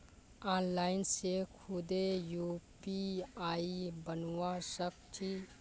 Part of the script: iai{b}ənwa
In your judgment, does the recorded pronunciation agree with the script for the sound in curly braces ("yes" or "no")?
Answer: yes